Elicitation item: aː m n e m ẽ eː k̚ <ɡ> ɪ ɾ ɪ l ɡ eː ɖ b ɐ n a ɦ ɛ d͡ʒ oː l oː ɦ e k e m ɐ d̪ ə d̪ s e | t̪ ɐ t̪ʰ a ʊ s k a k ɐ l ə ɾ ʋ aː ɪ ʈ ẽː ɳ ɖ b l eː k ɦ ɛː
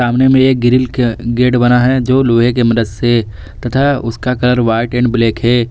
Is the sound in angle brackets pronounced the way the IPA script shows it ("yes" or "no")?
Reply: yes